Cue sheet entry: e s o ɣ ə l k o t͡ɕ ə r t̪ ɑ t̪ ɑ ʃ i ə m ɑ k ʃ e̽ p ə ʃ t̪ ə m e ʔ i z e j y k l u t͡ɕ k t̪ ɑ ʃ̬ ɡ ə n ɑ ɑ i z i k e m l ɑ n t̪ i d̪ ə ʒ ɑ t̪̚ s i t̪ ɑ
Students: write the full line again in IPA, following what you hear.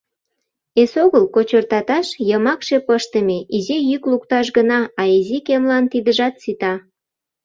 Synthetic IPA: e s o ɣ ə l k o t͡ɕ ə r t̪ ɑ t̪ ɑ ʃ j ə m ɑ k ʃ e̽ p ə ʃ t̪ ə m e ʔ i z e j y k l u k t̪ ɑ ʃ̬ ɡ ə n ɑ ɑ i z i k e m l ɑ n t̪ i d̪ ə ʒ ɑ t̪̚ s i t̪ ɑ